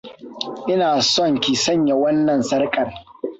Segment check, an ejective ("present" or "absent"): present